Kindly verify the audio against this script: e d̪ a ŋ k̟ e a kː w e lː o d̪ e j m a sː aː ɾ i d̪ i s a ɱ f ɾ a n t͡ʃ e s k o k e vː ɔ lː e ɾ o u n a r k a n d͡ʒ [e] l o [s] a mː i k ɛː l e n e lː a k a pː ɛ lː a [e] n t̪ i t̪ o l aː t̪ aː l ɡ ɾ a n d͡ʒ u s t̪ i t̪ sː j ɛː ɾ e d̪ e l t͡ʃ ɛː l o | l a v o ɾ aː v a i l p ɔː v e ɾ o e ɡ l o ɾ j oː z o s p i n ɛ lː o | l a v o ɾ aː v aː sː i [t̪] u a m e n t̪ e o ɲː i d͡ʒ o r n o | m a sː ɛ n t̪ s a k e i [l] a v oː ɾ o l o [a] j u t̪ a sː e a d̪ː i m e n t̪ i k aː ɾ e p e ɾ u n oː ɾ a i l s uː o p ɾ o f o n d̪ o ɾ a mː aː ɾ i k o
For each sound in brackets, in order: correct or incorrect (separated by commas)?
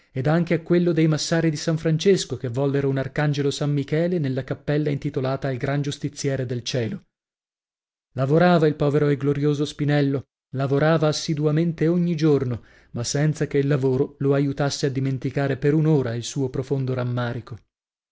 correct, correct, incorrect, incorrect, incorrect, correct